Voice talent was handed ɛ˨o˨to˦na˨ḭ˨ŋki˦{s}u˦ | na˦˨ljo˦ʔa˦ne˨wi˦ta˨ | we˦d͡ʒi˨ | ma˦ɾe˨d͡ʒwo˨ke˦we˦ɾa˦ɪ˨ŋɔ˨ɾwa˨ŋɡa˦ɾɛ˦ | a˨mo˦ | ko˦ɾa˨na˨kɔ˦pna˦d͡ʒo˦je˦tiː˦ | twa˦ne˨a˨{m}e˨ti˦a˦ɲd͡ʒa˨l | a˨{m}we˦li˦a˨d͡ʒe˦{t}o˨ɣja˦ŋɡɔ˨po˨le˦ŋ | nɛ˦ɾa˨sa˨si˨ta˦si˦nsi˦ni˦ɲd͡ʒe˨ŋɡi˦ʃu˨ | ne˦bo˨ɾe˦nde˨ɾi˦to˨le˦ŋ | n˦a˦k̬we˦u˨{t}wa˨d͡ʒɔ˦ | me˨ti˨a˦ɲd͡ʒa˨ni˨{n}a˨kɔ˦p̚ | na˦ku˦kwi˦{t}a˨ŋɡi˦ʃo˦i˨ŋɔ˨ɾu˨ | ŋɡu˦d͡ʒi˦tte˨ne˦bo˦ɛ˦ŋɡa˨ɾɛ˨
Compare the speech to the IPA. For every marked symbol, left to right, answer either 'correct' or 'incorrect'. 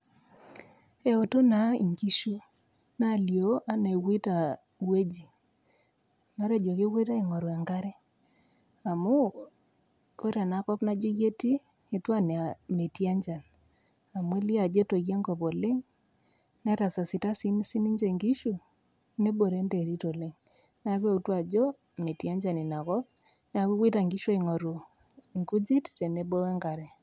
incorrect, correct, correct, correct, correct, correct, correct

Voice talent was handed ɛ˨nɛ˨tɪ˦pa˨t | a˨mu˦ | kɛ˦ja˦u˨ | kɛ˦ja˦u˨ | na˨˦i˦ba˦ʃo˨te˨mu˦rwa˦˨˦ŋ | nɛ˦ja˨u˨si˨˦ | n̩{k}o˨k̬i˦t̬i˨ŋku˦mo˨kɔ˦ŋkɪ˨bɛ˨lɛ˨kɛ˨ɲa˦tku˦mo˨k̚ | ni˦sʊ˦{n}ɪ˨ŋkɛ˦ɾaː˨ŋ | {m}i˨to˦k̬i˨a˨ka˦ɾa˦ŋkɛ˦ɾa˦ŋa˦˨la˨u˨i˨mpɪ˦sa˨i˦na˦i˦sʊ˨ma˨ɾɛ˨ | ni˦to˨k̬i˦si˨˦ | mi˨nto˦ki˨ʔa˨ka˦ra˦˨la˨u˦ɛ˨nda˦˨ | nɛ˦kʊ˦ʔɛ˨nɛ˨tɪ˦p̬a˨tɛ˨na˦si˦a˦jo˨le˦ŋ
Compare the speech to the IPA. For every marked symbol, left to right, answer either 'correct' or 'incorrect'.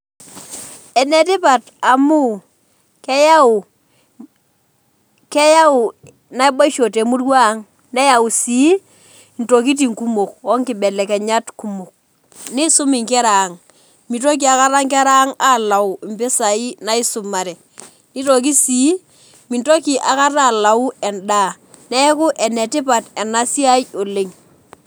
incorrect, incorrect, correct

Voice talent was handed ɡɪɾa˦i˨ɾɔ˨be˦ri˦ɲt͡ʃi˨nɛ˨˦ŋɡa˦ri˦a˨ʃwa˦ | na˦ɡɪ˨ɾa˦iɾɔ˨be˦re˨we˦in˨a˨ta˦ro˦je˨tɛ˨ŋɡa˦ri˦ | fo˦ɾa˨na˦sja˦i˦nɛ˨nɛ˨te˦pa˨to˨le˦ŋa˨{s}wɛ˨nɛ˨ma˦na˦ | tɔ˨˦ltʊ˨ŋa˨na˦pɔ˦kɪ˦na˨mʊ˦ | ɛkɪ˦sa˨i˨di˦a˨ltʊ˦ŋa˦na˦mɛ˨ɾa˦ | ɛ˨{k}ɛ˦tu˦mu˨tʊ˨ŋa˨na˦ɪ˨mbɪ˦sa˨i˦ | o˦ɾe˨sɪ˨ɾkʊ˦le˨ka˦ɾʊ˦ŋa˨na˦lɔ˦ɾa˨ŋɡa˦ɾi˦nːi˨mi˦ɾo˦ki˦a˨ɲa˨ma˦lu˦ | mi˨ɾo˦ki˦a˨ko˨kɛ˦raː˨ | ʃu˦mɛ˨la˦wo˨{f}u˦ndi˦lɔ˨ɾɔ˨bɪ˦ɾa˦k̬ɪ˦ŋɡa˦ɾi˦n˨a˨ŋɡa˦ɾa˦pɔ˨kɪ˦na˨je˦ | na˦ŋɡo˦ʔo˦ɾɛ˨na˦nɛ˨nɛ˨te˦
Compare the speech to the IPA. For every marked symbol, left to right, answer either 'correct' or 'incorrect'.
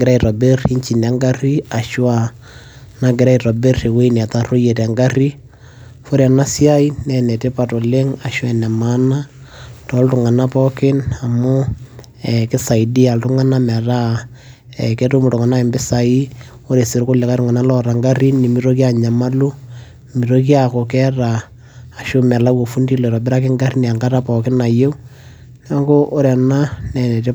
incorrect, correct, correct

